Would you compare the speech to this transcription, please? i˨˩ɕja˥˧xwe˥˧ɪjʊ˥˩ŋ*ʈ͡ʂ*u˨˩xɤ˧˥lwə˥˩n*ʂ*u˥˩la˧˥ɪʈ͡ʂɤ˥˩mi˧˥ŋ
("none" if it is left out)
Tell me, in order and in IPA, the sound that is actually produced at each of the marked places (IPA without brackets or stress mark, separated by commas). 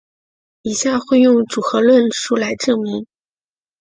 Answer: ʈ͡ʂ, ʂ